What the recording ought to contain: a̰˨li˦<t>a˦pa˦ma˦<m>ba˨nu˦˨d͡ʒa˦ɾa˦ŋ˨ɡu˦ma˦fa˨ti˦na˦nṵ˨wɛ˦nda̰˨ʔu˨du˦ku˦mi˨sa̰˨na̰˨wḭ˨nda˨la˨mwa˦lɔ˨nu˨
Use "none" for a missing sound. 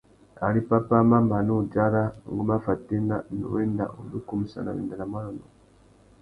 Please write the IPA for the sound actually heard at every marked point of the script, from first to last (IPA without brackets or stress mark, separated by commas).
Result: p, m